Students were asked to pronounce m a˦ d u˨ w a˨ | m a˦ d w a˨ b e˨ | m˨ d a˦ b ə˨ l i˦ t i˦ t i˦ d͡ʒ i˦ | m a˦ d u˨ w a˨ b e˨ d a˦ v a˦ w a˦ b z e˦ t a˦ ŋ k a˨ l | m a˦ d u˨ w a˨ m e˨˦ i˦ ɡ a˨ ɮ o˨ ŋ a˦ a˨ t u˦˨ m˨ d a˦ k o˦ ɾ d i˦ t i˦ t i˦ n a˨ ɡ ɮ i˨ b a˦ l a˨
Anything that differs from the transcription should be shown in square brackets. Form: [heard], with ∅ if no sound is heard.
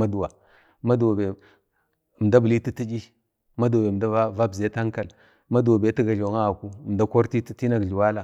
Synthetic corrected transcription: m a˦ d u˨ w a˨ | m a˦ d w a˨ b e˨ | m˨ d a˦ b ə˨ l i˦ t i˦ t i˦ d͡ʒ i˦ | m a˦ d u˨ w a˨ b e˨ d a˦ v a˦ [v] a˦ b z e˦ t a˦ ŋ k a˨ l | m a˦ d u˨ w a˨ [b] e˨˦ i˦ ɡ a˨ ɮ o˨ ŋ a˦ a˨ [k] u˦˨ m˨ d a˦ k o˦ ɾ [t] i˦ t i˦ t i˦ n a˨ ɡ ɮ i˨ [w] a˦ l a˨